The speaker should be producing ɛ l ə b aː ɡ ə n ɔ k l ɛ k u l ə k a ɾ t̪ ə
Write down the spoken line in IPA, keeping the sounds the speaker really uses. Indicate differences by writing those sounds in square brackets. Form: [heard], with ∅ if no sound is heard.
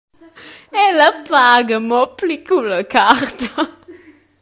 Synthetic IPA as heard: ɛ l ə [p] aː ɡ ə [m] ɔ [p] l [i] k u l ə k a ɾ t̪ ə

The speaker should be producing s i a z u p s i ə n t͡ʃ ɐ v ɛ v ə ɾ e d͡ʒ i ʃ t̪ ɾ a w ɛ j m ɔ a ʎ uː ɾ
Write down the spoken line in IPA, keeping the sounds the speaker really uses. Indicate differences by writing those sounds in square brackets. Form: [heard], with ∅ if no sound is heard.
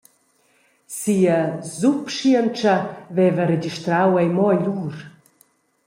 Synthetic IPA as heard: s i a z u p [ʃ] i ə n t͡ʃ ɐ v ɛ v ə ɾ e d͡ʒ i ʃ t̪ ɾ a w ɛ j m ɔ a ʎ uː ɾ

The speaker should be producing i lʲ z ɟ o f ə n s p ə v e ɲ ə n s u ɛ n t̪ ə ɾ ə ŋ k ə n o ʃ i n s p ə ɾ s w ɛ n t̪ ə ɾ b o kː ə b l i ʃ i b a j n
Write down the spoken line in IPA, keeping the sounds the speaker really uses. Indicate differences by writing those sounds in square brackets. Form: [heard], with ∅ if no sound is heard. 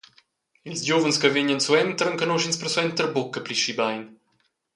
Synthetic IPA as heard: i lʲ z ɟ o [v] ə n s [k] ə v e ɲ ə n s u ɛ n t̪ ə ɾ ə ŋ k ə n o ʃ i n s p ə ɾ s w ɛ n t̪ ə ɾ b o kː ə [p] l i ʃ i b a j n

